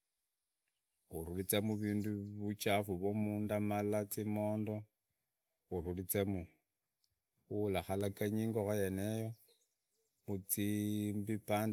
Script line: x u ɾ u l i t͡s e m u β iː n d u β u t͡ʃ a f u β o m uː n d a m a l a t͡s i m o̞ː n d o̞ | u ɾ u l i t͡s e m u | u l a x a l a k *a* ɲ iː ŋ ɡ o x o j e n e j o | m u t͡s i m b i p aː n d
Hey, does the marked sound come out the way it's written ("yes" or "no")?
yes